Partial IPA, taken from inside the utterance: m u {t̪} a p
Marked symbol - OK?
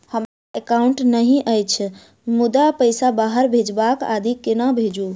no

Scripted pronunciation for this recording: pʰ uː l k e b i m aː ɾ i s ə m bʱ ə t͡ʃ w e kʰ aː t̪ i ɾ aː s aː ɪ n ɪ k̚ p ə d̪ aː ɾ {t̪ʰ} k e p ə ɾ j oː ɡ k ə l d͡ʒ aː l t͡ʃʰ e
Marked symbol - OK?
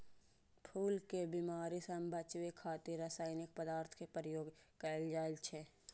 yes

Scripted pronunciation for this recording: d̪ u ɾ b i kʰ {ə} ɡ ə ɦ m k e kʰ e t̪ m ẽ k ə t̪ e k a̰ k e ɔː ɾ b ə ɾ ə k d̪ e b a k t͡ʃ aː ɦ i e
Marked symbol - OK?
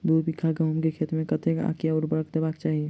no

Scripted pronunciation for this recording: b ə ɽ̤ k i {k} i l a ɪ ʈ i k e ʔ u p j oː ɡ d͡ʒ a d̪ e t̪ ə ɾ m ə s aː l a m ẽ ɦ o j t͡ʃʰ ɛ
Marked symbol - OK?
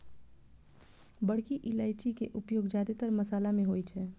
no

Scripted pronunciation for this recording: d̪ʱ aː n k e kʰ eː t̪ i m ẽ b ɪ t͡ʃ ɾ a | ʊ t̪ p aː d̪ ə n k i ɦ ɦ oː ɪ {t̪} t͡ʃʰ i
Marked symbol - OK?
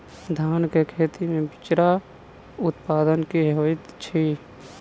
yes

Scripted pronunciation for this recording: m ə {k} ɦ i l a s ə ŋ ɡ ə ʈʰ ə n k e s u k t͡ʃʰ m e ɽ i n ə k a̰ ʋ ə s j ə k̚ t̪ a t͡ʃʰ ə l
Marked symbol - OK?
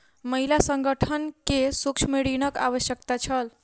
no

